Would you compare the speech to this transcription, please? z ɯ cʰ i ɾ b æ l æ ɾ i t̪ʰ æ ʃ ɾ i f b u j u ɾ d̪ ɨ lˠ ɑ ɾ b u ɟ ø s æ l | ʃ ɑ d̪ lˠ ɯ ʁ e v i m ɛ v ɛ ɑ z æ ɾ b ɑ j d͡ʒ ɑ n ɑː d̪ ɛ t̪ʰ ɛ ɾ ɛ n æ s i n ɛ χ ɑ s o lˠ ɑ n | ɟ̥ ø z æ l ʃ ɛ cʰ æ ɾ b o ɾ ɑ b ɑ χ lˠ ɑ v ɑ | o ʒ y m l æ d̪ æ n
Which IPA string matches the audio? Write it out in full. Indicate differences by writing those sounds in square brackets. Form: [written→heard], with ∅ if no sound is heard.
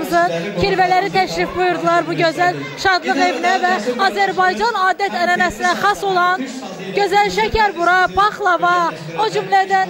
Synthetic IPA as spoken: z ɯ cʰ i ɾ [b→v] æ l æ ɾ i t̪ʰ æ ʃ ɾ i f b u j u ɾ d̪ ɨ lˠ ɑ ɾ b u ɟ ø [s→z] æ l | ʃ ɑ d̪ lˠ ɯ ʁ e v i [m→n] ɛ v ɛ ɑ z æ ɾ b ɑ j d͡ʒ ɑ n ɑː d̪ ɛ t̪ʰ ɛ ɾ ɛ n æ s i n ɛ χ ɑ s o lˠ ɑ n | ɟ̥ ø z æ l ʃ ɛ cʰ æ ɾ b [o→u] ɾ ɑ b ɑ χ lˠ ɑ v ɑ | o [ʒ→d͡ʒ] y m l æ d̪ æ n